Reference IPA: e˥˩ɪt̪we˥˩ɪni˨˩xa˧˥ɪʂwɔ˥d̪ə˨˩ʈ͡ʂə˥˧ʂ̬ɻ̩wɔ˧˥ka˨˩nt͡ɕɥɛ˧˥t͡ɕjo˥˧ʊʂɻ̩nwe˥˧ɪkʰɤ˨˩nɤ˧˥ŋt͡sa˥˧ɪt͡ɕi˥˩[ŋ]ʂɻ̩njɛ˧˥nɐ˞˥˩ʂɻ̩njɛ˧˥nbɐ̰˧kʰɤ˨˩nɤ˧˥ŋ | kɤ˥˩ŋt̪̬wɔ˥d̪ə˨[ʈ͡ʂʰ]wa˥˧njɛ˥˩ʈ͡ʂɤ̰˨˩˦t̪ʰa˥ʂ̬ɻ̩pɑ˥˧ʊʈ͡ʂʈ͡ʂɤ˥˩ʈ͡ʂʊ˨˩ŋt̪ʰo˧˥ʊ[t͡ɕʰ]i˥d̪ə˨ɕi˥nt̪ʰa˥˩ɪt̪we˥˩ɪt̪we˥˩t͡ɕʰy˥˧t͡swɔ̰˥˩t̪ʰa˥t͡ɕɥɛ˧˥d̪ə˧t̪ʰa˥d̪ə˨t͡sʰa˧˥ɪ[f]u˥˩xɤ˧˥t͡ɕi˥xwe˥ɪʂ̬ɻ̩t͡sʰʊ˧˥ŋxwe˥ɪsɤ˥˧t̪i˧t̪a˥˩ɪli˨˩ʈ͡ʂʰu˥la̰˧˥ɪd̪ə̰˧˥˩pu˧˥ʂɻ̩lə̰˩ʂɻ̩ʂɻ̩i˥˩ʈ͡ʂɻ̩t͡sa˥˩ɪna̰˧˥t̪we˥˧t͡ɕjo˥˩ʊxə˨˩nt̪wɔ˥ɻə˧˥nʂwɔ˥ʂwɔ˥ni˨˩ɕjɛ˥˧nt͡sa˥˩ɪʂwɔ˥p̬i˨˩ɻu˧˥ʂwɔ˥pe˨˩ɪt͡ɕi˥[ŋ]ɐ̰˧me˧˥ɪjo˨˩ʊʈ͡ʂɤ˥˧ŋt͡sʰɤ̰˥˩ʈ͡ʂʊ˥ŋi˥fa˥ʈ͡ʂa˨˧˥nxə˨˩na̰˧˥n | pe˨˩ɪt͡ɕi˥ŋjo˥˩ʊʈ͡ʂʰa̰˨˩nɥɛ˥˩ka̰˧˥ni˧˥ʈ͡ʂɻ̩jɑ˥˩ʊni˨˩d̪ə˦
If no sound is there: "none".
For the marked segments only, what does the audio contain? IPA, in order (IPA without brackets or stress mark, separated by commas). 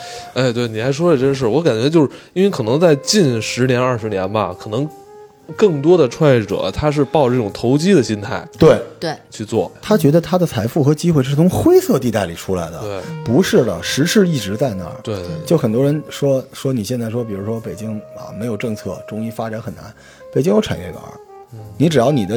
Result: n, ʈ͡ʂʰ, t͡ɕ, f, ŋ